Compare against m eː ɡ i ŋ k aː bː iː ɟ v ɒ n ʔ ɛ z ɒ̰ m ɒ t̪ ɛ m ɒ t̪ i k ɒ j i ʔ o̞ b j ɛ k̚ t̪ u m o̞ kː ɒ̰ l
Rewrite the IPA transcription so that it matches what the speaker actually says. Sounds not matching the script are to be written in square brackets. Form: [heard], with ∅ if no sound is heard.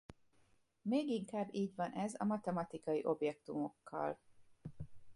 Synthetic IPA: m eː ɡ i ŋ k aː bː iː ɟ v ɒ n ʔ ɛ z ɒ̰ m ɒ t̪ ɛ m ɒ t̪ i k ɒ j i ʔ o̞ b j ɛ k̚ t̪ u m o̞ kː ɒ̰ l